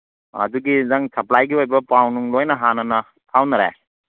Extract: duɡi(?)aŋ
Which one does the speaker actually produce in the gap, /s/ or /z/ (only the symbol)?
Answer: z